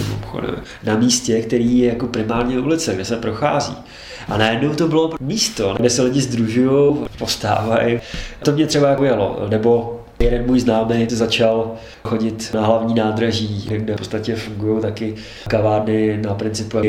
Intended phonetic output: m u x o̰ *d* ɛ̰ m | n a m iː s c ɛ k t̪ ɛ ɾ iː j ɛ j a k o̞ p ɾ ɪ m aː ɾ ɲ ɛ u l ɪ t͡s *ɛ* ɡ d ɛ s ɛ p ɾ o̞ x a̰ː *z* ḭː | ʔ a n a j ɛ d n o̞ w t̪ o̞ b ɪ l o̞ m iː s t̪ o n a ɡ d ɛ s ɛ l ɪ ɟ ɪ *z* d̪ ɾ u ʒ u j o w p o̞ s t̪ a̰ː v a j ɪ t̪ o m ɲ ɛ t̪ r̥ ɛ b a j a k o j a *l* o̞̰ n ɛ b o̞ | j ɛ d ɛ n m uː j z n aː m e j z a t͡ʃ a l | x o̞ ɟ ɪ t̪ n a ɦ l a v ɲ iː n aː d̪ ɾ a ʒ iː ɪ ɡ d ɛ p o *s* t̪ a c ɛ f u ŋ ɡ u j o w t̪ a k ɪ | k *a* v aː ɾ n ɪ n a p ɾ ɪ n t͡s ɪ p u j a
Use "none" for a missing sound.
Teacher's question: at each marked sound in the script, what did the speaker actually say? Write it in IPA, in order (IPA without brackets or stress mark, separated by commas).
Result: d, ɛ, z, z, l, t͡s, a